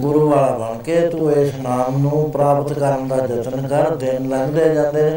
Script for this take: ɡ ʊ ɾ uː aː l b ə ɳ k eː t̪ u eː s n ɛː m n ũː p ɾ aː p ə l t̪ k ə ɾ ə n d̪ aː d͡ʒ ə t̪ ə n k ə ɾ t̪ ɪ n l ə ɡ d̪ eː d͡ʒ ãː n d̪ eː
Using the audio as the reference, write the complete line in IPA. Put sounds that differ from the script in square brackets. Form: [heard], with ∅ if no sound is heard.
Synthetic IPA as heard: ɡ ʊ ɾ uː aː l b ə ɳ k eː t̪ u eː s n [aː] m n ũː p ɾ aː p ə [∅] t̪ k ə ɾ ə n d̪ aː d͡ʒ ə t̪ ə n k ə ɾ [d̪] ɪ n l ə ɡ d̪ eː d͡ʒ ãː n d̪ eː